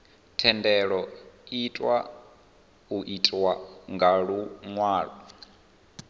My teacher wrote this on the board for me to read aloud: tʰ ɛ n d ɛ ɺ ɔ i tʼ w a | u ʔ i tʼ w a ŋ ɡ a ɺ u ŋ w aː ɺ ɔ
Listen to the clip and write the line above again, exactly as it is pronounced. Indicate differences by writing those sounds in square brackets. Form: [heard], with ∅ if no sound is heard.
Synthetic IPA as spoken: tʰ ɛ n d ɛ ɺ ɔ i tʼ w a | u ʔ i tʼ w a ŋ ɡ a ɺ u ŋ w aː ɺ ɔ